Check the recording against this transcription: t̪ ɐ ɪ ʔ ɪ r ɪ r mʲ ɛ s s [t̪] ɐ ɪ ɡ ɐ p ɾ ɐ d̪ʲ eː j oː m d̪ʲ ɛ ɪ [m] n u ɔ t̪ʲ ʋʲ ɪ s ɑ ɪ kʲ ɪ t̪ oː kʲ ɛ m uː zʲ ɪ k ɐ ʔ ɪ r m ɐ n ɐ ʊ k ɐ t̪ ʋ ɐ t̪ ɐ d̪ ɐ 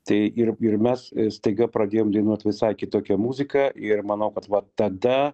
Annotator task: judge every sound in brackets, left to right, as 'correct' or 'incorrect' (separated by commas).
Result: correct, incorrect